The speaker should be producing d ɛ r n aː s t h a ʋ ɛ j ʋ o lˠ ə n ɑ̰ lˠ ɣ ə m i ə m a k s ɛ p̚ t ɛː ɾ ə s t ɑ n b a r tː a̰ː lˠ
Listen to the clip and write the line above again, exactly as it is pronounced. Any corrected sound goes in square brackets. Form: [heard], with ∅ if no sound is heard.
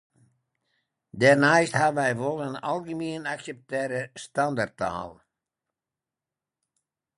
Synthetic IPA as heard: d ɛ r n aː s t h a ʋ ɛ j ʋ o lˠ ə n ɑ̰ lˠ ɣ ə m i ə [n] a k s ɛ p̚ t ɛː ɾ ə s t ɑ n [d] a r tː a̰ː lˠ